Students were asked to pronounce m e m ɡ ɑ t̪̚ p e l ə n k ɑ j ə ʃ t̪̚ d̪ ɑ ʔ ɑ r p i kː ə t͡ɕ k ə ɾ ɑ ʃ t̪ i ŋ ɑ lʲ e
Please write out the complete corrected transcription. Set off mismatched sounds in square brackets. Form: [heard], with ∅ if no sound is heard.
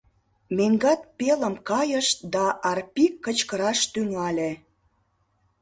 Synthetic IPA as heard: m e [ŋ] ɡ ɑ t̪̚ p e l ə [m] k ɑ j ə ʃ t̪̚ d̪ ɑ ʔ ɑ r p i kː ə t͡ɕ k ə ɾ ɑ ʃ t̪ [y] ŋ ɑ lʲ e